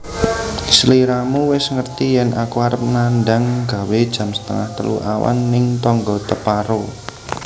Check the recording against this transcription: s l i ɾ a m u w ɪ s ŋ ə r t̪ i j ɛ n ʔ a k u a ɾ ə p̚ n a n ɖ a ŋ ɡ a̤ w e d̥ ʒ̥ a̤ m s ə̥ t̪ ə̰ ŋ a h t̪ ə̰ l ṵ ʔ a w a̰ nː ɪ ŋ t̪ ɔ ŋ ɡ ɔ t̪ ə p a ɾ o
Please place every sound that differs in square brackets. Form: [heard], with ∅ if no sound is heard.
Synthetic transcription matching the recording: s l i ɾ a m u w ɪ s ŋ ə r t̪ i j ɛ n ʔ a k u a ɾ ə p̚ n a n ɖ a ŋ ɡ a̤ w e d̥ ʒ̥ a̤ m s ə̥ t̪ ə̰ ŋ a h t̪ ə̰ l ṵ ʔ a w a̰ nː ɪ ŋ t̪ ɔ ŋ ɡ ɔ t̪ ə p a ɾ o